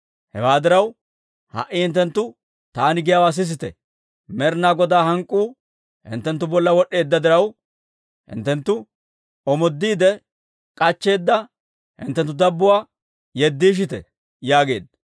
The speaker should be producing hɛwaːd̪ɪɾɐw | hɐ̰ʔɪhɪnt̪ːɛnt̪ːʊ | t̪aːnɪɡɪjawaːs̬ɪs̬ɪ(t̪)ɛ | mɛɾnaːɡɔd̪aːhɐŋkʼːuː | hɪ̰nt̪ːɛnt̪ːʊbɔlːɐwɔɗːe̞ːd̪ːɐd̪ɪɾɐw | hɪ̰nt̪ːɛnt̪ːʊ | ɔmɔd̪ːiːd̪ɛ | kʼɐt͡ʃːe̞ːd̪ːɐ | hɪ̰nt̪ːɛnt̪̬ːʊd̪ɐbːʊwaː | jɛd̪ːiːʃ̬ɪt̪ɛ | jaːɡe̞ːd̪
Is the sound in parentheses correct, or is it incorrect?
correct